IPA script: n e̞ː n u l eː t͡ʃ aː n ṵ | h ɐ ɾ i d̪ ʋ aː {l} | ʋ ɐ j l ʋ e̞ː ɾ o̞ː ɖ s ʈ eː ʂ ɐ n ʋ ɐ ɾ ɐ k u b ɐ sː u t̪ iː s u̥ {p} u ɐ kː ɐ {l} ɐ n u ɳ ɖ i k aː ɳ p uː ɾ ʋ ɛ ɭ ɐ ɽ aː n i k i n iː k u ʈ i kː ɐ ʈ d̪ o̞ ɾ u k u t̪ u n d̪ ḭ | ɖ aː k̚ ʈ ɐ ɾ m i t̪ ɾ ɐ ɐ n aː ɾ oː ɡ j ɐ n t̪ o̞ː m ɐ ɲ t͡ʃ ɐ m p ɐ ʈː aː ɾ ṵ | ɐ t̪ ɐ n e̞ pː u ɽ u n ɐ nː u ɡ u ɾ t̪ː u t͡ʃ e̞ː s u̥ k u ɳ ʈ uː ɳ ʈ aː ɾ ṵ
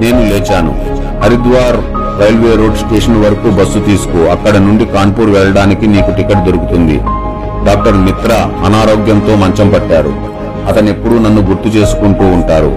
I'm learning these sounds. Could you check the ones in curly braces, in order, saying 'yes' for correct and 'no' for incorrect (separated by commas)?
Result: no, no, no